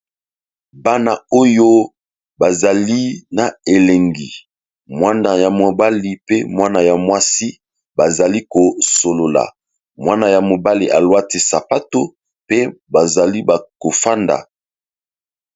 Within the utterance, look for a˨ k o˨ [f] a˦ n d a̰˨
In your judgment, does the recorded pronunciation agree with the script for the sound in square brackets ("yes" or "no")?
yes